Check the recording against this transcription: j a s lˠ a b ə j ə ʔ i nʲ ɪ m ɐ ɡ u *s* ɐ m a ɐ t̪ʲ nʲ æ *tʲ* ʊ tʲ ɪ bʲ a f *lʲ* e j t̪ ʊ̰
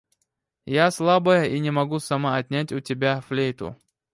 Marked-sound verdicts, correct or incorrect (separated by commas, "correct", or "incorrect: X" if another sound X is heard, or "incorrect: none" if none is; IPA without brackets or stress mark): correct, correct, correct